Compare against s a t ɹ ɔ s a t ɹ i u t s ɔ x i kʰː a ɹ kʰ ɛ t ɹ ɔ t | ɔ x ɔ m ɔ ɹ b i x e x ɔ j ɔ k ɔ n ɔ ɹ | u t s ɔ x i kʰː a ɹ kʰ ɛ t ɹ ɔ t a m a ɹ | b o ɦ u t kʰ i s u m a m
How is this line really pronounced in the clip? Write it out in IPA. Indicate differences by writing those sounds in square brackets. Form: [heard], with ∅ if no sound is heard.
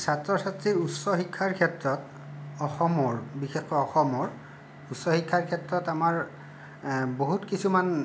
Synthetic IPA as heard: s a t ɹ ɔ s a t ɹ i u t s ɔ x i kʰː a ɹ kʰ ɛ t ɹ ɔ t | ɔ x ɔ m ɔ ɹ b i x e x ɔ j ɔ [x] ɔ [m] ɔ ɹ | u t s ɔ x i kʰː a ɹ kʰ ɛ t ɹ ɔ t a m a ɹ | b o ɦ u t [k] i s u m a [n]